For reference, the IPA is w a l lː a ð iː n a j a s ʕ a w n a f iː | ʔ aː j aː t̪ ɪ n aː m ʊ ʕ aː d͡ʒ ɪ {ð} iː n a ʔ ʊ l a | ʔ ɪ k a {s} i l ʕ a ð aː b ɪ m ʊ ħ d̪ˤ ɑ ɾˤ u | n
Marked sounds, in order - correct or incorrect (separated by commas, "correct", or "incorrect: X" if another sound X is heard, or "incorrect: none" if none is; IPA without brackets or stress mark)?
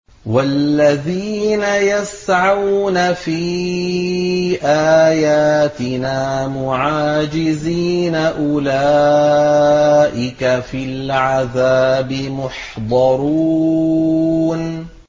incorrect: z, incorrect: f